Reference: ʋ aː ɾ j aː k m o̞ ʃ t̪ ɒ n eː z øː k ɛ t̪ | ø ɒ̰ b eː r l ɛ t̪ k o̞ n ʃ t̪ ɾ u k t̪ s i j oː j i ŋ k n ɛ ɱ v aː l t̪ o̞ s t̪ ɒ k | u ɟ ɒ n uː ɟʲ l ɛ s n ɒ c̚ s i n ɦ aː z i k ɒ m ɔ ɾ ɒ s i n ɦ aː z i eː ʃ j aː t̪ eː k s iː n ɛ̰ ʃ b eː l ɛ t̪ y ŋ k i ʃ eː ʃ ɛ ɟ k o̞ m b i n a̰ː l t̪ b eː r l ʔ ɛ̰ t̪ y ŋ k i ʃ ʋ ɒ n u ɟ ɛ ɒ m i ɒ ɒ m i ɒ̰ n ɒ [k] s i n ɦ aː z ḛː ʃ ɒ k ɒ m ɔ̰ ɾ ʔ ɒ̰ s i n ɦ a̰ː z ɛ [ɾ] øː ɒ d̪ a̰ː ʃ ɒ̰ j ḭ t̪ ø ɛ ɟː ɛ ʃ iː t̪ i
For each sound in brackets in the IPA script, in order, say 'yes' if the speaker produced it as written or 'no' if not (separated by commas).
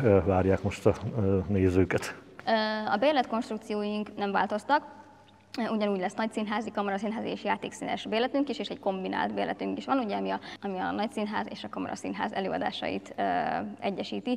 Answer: no, no